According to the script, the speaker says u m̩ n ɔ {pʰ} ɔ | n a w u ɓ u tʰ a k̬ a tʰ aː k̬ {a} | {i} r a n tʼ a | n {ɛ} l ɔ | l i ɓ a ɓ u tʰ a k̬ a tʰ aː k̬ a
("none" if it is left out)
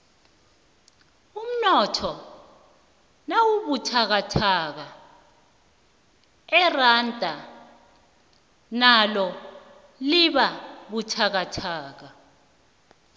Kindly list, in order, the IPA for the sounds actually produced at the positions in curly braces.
tʰ, a, ɛ, a

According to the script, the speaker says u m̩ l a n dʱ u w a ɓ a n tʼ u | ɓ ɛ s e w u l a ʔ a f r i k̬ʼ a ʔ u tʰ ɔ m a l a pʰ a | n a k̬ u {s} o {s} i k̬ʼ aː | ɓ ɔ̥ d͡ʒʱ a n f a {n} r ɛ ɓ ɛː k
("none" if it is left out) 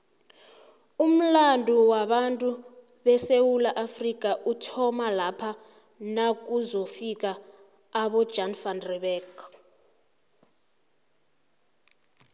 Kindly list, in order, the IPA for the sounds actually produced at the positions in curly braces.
z, f, n

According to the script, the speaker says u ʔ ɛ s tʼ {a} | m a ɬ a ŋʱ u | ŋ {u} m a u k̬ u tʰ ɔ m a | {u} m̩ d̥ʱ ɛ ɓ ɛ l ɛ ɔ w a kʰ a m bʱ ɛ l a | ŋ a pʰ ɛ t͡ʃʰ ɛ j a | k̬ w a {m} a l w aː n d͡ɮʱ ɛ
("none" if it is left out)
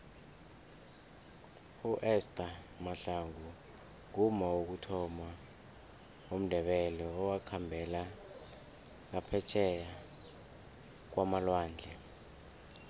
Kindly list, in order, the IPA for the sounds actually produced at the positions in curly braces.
a, u, o, m

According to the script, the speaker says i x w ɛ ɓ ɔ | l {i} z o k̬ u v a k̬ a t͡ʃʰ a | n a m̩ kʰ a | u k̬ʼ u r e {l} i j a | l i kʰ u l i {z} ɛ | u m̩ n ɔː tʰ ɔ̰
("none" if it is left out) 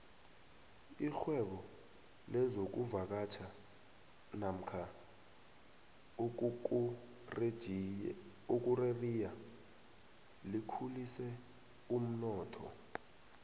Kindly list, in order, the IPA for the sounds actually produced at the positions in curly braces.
ɛ, r, s

